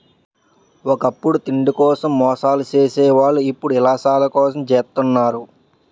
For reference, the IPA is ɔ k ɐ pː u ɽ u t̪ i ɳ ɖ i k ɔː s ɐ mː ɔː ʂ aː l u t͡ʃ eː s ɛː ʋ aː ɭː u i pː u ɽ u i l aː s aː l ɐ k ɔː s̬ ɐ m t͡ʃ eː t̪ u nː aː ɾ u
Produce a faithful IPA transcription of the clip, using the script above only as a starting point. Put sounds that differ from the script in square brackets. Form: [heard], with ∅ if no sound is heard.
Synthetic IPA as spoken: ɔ k ɐ pː u ɽ u t̪ i ɳ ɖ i k ɔː s ɐ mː ɔː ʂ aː l u t͡ʃ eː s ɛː ʋ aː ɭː u i pː u ɽ u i l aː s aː l ɐ k ɔː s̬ ɐ m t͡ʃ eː t̪ u nː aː ɾ u